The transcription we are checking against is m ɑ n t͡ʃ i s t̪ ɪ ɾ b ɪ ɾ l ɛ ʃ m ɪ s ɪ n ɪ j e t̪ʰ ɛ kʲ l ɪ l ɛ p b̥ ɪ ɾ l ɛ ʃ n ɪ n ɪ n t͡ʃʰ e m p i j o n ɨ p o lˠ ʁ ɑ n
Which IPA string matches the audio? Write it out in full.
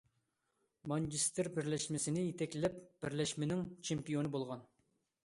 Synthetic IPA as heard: m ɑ n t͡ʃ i s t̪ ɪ ɾ b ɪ ɾ l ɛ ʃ m ɪ s ɪ n ɪ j e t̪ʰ ɛ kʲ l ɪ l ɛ p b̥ ɪ ɾ l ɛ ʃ m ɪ n ɪ ŋ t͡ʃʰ e m p i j o n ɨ b o lˠ ʁ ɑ n